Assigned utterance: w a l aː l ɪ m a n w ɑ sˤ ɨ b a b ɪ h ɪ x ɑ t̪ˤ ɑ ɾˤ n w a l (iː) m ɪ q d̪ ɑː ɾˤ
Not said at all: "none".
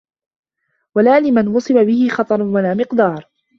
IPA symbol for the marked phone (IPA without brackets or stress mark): aː